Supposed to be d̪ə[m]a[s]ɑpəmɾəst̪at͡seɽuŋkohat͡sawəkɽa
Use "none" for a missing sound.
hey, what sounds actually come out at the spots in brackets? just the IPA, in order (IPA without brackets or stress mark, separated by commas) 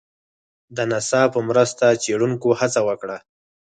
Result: n, s